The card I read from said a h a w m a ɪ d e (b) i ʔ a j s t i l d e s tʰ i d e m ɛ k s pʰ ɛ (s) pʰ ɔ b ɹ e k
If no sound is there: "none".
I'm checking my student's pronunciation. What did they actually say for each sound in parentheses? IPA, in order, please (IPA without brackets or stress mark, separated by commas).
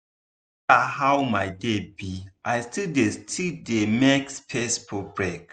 b, s